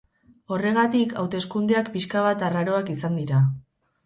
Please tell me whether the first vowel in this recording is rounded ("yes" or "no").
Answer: yes